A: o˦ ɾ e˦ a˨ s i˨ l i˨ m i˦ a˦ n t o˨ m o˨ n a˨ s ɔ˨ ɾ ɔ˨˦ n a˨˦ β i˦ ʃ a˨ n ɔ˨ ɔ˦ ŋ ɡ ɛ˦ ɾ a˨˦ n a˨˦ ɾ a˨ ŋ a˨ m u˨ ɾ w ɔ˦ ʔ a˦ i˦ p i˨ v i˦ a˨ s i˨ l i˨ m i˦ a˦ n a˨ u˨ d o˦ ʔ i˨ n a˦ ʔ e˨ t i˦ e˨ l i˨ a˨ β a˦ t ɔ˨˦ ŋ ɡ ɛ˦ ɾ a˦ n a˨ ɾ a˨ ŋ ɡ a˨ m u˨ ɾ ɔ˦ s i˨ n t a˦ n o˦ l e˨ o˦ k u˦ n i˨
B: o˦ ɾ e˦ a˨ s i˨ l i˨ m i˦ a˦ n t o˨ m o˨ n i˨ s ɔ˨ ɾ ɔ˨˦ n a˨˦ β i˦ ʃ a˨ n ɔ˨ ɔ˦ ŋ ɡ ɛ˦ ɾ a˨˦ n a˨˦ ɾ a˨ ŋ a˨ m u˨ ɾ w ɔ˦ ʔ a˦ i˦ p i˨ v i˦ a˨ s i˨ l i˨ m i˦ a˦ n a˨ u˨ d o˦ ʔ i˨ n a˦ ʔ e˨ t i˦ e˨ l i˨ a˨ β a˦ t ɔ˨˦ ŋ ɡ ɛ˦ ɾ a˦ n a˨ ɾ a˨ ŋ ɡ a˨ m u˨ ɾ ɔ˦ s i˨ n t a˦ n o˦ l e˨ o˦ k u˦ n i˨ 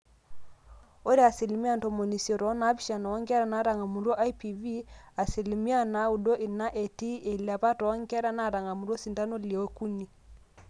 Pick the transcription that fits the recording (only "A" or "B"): B